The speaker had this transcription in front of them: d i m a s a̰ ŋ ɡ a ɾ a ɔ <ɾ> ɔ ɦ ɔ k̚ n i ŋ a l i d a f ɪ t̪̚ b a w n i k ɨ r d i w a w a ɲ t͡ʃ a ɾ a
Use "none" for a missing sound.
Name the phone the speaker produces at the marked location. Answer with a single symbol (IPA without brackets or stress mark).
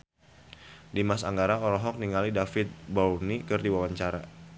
ɾ